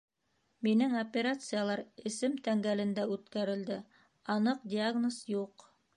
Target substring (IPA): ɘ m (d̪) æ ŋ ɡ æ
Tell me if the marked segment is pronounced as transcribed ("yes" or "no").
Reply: no